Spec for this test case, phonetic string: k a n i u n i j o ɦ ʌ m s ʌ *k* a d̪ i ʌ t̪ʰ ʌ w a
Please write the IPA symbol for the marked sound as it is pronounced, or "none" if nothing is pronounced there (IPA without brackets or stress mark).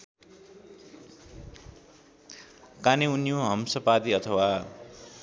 p